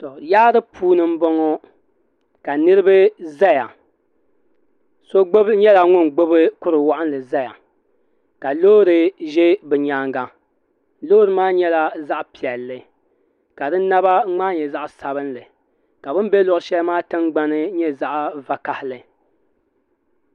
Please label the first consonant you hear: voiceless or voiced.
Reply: voiceless